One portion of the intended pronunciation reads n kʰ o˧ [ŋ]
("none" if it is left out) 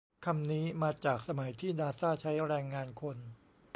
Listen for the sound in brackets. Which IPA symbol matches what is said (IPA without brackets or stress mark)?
n